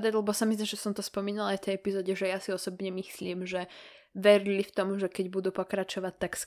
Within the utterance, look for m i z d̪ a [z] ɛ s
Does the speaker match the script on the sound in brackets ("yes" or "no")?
no